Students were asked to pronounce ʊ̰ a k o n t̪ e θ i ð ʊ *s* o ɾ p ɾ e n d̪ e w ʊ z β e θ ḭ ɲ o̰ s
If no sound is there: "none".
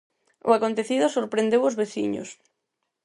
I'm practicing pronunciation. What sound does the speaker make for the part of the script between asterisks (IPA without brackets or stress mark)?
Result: s